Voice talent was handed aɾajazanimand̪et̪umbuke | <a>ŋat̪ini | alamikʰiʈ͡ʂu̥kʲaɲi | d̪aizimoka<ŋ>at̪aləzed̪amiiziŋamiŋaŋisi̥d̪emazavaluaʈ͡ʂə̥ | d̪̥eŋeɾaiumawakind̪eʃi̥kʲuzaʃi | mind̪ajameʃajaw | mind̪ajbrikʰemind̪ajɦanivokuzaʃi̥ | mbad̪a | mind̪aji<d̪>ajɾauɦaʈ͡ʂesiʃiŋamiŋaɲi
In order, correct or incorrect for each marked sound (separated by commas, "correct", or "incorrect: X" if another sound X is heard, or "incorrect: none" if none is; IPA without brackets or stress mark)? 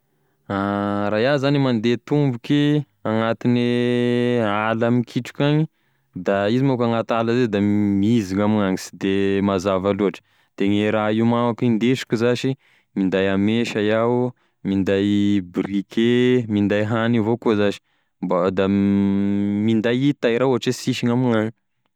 correct, correct, incorrect: t̪